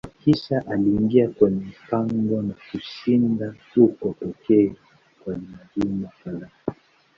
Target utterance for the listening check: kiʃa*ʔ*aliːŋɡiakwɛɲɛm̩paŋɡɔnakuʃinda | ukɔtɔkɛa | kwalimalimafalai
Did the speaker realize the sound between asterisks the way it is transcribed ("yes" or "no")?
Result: yes